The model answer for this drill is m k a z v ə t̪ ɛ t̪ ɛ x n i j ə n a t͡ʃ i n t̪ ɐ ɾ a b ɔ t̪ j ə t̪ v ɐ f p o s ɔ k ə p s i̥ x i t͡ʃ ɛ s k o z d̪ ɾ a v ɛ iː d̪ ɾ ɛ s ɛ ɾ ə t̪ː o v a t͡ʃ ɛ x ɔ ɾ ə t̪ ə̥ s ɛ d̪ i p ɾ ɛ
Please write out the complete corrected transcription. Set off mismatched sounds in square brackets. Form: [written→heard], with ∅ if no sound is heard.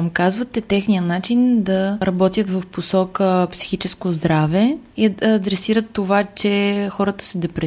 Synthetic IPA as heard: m k a z v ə t̪ ɛ t̪ ɛ x n i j ə n a t͡ʃ i n [t̪→d̪] ɐ ɾ [a→ɐ] b ɔ t̪ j ə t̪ v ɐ f p o s ɔ k ə p s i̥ x i t͡ʃ ɛ s k o z d̪ ɾ a v ɛ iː d̪ ɾ ɛ s [ɛ→i] ɾ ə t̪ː o v a t͡ʃ ɛ x ɔ ɾ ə t̪ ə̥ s ɛ d̪ [i→ɛ] p ɾ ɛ